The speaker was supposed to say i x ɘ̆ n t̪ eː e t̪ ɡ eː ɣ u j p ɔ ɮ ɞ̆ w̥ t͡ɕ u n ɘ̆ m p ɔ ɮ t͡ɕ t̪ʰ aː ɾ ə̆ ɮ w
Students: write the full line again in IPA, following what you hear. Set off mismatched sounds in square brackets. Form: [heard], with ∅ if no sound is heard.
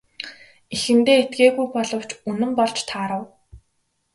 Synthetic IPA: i x ɘ̆ n t̪ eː e t̪ ɡ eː ɣ u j p ɔ ɮ ɞ̆ w̥ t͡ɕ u n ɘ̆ m p ɔ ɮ t͡ɕ t̪ʰ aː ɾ ə̆ [∅] w